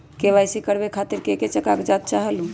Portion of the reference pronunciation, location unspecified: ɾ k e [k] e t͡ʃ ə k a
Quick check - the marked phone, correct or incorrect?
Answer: correct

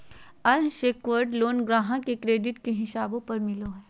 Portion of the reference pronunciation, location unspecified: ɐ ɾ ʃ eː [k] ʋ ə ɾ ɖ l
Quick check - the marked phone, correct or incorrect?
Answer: correct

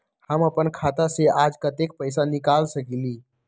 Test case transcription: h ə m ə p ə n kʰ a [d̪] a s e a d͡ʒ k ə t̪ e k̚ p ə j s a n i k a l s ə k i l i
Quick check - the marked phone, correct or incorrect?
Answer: incorrect: t̪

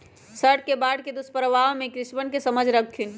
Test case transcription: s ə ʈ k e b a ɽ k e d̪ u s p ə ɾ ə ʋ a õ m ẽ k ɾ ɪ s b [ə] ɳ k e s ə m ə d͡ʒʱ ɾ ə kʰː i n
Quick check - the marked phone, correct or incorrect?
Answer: correct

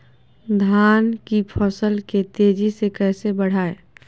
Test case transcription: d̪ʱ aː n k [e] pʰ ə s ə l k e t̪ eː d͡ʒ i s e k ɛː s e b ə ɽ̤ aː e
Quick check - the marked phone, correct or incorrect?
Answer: incorrect: i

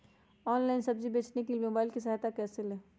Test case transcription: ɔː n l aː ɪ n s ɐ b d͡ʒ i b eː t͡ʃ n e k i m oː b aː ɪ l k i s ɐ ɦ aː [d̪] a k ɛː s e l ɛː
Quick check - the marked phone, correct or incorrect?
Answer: incorrect: t̪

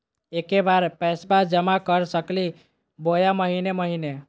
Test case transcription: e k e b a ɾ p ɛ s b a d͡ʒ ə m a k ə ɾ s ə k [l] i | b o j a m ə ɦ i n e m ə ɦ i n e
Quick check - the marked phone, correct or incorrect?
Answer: correct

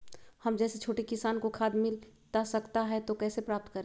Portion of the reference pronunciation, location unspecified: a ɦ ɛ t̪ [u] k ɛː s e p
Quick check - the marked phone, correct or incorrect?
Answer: incorrect: o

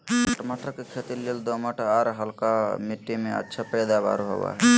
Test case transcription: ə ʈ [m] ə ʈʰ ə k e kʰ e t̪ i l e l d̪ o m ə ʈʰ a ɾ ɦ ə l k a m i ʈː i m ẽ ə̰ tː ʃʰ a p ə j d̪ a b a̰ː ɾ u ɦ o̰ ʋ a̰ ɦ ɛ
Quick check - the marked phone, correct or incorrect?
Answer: correct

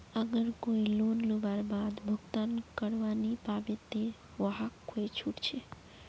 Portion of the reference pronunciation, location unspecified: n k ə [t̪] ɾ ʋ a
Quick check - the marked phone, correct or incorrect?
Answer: incorrect: none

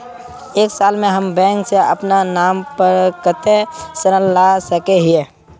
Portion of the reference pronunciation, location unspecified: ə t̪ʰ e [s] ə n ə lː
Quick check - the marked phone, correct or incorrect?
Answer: correct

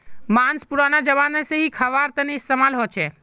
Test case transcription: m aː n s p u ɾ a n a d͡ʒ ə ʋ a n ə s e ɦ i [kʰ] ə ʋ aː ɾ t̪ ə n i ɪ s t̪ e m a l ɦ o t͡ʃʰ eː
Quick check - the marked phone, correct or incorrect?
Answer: correct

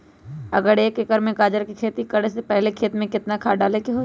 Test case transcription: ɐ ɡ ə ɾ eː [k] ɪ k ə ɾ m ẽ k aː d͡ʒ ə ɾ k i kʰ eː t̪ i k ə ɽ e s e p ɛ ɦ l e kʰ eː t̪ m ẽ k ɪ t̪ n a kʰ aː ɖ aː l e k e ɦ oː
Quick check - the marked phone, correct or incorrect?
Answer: correct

